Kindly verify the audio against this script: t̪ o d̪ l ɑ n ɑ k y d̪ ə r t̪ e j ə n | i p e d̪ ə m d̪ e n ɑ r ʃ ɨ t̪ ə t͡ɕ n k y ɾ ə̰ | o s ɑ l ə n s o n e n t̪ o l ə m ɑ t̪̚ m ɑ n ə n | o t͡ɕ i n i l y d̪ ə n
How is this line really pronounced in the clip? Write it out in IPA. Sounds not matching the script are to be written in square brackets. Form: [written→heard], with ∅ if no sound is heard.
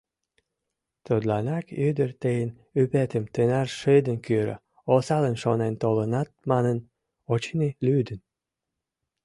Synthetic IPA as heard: t̪ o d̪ l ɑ n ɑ k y d̪ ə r t̪ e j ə n | [i→y] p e [d̪→t̪] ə m [d̪→t̪] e n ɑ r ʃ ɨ [t̪→d̪] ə [t͡ɕ→∅] n k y ɾ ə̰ | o s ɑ l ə n [s→ʃ] o n e n t̪ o l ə [m→n] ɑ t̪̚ m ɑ n ə n | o t͡ɕ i n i l y d̪ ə n